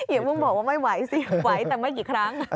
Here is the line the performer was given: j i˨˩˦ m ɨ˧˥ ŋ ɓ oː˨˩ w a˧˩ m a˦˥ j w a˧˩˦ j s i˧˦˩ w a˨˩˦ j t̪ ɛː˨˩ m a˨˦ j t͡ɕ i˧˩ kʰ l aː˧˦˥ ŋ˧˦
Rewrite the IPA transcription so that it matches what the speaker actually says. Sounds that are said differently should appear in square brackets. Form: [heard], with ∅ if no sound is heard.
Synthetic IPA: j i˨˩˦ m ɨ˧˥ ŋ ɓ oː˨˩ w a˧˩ m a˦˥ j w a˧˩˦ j s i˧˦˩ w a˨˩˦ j t̪ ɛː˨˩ m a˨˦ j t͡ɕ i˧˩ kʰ [ɾ] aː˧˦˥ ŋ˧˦